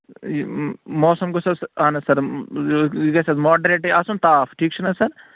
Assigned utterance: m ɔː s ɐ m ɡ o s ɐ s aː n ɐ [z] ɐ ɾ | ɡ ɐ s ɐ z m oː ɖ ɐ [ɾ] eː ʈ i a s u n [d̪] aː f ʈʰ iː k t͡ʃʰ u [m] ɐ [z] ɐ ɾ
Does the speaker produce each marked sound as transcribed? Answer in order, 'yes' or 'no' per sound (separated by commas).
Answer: no, yes, no, no, no